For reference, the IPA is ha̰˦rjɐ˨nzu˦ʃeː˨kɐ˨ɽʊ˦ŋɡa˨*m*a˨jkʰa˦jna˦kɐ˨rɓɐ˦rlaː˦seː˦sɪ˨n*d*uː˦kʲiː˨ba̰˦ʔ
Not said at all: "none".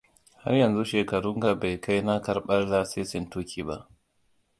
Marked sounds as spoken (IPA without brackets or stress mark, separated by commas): b, t